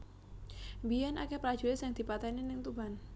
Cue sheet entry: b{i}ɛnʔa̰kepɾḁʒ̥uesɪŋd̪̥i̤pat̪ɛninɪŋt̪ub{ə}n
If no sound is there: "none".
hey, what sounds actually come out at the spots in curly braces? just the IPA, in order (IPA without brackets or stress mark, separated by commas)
i, a